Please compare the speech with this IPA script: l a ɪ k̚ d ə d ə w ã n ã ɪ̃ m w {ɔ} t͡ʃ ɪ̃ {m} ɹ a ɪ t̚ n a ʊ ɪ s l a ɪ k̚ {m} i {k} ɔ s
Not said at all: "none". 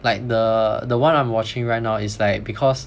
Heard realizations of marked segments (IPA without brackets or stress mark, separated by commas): ɔ, ŋ, b, kʰ